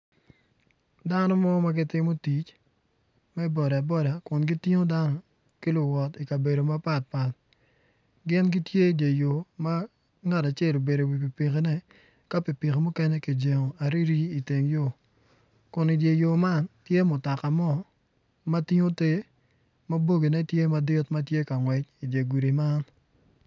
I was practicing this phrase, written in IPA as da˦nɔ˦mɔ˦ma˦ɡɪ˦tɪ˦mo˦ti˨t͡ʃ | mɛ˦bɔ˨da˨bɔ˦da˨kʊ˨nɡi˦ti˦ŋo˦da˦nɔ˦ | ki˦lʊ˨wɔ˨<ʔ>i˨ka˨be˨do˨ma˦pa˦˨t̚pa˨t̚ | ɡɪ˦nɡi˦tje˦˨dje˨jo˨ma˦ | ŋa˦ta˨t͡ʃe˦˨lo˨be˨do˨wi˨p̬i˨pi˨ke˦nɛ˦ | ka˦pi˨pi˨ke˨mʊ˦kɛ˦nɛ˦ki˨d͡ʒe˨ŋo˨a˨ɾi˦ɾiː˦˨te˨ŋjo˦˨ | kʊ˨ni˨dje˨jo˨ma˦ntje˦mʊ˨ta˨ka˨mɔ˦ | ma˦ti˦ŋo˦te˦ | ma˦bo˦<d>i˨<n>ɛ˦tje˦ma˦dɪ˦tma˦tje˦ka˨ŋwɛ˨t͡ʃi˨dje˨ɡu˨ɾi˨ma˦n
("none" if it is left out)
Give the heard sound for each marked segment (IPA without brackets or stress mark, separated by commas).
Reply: t, ɡ, n